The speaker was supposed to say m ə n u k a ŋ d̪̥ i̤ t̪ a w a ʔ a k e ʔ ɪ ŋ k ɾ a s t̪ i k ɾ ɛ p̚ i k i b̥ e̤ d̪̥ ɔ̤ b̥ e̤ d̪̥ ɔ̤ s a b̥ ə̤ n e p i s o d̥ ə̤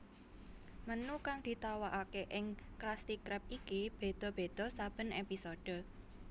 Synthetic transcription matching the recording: m ə n u k a ŋ d̪̥ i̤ t̪ a w a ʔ a k e ʔ ɪ ŋ k ɾ a s t̪ i k ɾ ɛ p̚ i k i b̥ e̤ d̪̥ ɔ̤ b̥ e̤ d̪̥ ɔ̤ s a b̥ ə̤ n e p i s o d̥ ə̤